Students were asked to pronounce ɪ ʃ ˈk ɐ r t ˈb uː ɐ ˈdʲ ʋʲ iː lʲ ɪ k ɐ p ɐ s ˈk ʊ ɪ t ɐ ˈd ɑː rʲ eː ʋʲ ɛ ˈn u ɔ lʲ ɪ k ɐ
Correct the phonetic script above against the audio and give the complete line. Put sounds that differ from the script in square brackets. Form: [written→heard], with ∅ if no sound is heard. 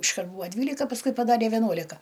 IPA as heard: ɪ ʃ ˈk ɐ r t ˈb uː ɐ ˈdʲ ʋʲ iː lʲ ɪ k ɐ p ɐ s ˈk ʊ ɪ [t→p] ɐ ˈd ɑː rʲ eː ʋʲ ɛ ˈn u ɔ lʲ ɪ k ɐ